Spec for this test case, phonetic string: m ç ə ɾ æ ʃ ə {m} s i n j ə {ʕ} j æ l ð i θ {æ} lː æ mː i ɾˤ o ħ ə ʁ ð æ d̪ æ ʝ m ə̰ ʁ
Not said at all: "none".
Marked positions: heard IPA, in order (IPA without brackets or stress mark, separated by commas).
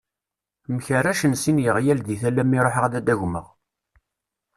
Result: n, ʁ, æ